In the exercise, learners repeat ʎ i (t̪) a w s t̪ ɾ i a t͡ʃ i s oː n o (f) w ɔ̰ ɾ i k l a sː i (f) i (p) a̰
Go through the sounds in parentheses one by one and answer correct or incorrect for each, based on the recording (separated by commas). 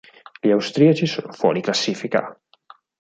incorrect, correct, correct, incorrect